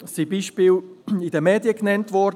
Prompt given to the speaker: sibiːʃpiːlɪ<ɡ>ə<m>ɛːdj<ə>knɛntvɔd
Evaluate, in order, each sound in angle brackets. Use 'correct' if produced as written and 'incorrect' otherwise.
incorrect: d, correct, correct

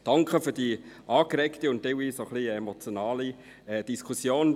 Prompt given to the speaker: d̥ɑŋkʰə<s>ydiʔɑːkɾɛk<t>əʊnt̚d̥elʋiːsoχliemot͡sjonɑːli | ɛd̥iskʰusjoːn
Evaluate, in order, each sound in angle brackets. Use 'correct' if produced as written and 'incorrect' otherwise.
incorrect: f, correct

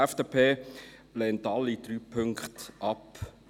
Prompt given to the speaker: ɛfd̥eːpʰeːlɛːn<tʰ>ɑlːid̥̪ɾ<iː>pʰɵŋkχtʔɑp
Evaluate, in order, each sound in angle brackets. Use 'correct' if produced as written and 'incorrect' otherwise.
incorrect: t, incorrect: yː

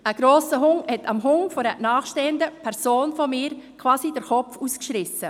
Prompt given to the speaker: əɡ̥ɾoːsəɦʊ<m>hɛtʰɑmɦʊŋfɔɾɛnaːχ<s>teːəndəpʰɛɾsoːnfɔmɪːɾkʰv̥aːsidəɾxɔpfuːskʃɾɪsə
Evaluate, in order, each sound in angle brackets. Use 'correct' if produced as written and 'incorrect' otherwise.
incorrect: ŋ, incorrect: ʃ

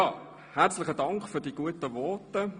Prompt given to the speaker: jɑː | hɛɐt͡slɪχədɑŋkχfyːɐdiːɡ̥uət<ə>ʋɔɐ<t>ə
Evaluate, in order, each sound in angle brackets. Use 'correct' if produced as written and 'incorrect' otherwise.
correct, correct

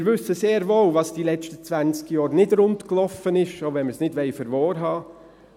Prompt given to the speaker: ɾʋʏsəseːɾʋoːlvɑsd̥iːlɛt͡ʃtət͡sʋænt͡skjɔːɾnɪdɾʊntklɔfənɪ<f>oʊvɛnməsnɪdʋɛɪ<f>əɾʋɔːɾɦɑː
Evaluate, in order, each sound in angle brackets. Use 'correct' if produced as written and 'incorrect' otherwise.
incorrect: ʃ, correct

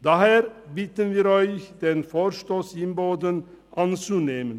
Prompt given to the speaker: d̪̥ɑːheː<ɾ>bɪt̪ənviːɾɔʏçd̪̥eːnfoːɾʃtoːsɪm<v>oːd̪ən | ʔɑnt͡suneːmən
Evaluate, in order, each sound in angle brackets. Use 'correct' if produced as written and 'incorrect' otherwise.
correct, incorrect: b

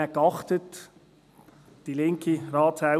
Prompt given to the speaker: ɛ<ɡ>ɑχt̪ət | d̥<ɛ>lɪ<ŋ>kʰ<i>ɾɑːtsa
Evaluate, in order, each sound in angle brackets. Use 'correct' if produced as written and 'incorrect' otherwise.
incorrect: k, incorrect: i, correct, correct

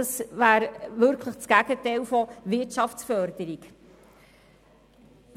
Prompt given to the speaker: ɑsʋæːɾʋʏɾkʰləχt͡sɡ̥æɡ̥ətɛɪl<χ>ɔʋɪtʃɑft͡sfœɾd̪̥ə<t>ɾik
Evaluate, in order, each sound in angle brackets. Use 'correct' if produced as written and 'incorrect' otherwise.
incorrect: f, incorrect: none

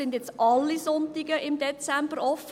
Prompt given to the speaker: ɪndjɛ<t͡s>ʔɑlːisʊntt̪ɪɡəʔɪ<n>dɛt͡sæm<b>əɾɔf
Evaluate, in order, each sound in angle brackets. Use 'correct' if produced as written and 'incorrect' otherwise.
correct, incorrect: m, correct

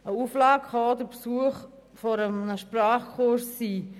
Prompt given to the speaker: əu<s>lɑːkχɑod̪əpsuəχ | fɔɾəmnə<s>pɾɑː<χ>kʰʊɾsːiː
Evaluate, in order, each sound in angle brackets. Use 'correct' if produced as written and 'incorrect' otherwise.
incorrect: f, incorrect: ʃ, correct

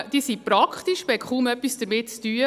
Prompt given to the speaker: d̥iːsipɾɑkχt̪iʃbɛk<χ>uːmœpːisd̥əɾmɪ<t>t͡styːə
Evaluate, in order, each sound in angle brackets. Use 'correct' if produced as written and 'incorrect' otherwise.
correct, correct

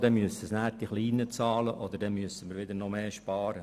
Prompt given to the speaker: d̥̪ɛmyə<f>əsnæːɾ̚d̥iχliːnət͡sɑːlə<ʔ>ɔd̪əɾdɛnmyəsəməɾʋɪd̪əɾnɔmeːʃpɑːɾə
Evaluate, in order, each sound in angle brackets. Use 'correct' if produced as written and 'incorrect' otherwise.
incorrect: s, correct

